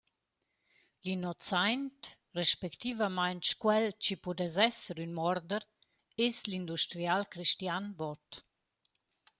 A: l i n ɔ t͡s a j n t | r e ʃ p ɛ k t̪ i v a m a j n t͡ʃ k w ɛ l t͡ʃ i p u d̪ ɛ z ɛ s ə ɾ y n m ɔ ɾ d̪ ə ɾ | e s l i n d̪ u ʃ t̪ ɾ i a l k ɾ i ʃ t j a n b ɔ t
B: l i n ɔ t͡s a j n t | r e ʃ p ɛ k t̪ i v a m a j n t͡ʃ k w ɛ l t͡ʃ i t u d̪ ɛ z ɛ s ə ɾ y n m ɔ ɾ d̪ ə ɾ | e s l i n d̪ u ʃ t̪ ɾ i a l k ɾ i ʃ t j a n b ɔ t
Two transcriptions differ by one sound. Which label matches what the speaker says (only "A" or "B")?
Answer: A